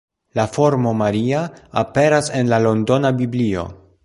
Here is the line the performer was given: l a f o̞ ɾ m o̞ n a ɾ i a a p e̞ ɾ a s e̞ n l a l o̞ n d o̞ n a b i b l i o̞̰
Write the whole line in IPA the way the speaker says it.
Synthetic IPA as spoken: l a f o̞ ɾ m o̞ m a ɾ i a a p e̞ ɾ a s e̞ n l a l o̞ n d o̞ n a b i b l i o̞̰